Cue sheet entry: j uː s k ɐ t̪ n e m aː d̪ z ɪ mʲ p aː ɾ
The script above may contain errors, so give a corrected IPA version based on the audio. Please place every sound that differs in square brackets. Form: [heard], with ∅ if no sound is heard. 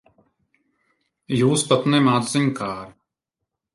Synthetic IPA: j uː s [p] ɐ t̪ n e m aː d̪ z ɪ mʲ [k] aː ɾ